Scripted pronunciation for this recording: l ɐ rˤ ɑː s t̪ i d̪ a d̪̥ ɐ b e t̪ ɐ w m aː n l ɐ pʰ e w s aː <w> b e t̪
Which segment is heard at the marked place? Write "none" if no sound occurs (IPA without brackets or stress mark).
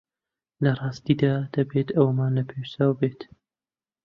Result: w